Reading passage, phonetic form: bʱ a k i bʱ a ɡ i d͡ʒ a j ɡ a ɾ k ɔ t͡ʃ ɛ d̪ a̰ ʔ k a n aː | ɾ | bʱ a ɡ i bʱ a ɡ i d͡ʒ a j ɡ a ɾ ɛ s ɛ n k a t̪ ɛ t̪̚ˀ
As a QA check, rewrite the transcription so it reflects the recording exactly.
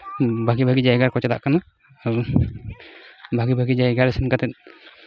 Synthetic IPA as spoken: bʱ a ɡ i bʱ a ɡ i d͡ʒ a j ɡ a ɾ k ɔ t͡ʃ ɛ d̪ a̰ ʔ k a n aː | ɾ | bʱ a ɡ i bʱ a ɡ i d͡ʒ a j ɡ a ɾ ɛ s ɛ n k a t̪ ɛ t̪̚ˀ

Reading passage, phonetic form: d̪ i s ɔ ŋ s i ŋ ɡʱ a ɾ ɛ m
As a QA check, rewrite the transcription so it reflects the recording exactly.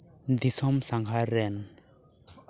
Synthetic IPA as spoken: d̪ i s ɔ m s a ŋ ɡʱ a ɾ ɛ n

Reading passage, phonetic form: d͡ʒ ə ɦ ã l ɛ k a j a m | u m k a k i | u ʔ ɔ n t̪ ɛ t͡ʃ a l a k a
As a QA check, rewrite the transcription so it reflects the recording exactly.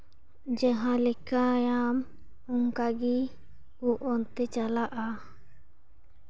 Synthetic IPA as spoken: d͡ʒ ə ɦ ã l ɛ k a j a m | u ŋ k a ɡ i | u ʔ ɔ n t̪ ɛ t͡ʃ a l a ʔ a

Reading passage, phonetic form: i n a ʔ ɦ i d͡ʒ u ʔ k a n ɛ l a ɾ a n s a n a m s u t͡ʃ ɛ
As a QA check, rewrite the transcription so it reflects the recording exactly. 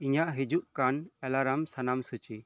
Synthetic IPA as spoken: i ɲ a ʔ ɦ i d͡ʒ u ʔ k a n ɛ l a ɾ a m s a n a m s u t͡ʃ i

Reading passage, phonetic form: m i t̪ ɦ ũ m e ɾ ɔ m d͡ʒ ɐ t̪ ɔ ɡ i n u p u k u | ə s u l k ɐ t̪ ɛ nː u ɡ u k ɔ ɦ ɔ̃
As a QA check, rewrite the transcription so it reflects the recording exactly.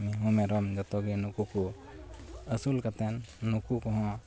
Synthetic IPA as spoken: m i ɦ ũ m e ɾ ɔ m d͡ʒ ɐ t̪ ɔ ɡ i n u k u k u | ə s u l k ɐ t̪ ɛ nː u k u k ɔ ɦ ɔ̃

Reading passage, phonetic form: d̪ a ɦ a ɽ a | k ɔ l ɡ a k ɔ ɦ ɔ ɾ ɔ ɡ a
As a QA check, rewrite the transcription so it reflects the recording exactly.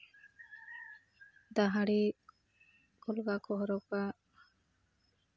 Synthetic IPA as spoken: d̪ a ɦ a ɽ i | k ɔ l ɡ a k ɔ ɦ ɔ ɾ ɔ k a

